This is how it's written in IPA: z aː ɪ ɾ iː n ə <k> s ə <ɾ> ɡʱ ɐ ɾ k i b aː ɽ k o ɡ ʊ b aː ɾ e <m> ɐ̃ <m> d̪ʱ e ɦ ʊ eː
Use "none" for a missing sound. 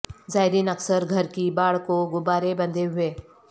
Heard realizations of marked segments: k, ɾ, b, n

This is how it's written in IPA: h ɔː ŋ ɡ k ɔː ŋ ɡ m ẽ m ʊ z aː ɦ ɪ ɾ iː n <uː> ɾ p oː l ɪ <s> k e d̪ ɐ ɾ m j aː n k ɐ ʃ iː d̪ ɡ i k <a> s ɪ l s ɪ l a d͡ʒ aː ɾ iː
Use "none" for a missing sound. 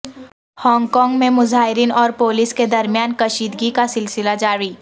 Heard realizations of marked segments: ɔː, s, a

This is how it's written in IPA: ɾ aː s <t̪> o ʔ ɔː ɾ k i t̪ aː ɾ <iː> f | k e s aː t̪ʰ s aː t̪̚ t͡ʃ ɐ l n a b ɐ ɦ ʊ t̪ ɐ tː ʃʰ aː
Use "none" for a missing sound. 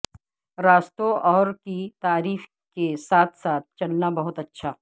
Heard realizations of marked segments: t̪, iː

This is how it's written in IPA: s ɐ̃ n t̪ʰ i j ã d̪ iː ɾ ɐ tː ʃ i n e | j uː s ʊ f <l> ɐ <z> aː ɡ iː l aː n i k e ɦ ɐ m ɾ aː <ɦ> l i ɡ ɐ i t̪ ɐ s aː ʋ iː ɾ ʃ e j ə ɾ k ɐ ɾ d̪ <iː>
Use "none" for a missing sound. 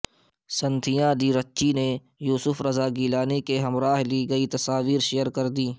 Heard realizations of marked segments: ɾ, z, ɦ, iː

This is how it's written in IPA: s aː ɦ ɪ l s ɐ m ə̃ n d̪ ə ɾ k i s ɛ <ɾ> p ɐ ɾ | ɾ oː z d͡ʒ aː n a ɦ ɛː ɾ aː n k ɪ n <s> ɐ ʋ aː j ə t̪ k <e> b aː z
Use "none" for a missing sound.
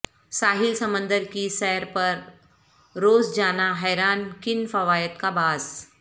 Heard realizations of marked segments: ɾ, f, a

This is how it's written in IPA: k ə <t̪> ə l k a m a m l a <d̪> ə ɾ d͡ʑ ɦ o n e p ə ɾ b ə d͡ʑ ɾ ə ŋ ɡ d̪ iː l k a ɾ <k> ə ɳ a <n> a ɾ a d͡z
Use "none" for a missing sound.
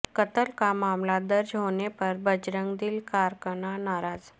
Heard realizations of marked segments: t̪, d̪, k, n

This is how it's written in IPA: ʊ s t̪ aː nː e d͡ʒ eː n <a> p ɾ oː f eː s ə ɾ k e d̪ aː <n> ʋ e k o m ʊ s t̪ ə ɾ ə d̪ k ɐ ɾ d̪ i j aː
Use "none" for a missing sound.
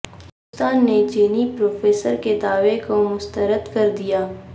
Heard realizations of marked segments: i, none

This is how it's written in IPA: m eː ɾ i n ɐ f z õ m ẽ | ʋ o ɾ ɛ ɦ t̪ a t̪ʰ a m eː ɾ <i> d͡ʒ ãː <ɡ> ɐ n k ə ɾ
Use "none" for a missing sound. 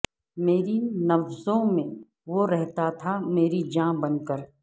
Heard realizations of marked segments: i, b

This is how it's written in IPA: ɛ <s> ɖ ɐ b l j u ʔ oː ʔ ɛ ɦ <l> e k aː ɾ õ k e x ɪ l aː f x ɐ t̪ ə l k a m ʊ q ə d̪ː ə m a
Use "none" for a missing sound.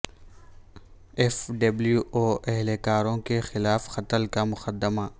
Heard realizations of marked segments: f, l

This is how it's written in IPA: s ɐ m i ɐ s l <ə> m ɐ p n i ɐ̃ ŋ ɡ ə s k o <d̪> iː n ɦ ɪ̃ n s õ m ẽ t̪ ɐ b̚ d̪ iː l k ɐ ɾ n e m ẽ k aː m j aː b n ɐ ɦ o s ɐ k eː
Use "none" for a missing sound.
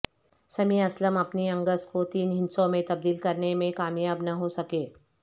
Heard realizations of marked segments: ə, t̪

